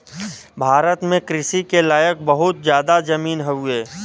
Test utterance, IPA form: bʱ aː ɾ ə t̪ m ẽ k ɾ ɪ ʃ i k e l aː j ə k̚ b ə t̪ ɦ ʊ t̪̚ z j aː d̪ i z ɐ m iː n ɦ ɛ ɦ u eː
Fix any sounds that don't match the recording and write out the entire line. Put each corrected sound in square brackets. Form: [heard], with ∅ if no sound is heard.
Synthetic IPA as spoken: bʱ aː ɾ ə t̪ m ẽ k ɾ ɪ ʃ i k e l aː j ə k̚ b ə [∅] ɦ ʊ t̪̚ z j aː d̪ [a] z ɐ m iː n ɦ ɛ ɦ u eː